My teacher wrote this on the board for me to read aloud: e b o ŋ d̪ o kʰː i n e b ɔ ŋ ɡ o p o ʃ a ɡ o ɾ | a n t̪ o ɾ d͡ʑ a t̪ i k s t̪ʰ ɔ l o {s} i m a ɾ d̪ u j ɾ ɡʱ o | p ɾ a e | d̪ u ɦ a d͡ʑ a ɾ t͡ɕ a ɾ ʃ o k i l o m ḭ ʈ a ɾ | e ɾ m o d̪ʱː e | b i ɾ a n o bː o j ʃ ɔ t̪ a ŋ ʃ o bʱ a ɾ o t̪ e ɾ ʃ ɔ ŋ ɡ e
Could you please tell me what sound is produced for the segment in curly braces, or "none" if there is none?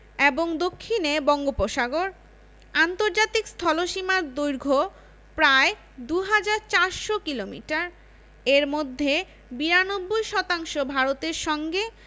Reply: ʃ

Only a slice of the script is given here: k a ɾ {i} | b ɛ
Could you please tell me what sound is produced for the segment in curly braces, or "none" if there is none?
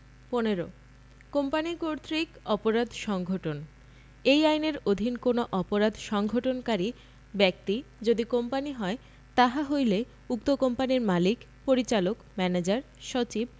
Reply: i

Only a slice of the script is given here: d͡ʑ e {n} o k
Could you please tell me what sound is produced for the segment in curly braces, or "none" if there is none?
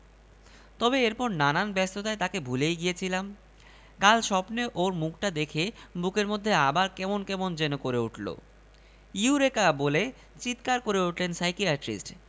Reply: n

